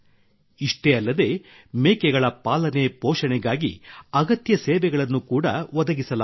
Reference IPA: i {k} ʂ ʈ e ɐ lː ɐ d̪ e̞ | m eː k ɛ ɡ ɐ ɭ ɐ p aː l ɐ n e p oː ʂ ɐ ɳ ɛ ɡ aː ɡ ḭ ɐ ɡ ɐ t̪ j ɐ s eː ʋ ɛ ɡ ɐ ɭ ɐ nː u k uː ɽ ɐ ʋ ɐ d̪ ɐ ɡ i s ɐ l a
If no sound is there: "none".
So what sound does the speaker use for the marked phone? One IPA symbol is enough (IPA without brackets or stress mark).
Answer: none